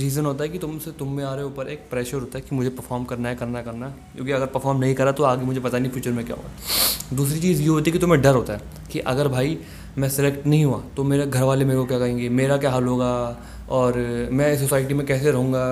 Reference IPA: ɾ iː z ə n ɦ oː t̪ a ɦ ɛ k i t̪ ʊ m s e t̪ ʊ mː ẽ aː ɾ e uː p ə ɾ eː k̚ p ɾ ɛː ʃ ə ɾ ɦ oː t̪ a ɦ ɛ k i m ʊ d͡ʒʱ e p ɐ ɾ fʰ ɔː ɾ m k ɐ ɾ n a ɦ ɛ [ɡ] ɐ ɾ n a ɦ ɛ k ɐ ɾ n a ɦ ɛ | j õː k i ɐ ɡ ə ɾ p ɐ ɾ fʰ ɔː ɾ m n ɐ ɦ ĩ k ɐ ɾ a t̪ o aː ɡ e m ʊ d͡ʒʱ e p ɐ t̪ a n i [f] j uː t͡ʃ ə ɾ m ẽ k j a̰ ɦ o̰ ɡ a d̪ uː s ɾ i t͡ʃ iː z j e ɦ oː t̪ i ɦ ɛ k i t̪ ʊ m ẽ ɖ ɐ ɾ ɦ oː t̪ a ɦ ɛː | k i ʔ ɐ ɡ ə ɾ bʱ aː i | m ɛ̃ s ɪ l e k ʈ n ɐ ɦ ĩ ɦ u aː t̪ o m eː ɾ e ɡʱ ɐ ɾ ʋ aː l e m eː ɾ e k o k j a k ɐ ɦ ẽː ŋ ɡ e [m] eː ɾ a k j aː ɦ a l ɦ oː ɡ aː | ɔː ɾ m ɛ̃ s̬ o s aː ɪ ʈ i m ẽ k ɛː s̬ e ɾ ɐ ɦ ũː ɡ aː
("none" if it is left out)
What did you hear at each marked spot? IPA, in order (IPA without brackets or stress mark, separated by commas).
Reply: k, f, m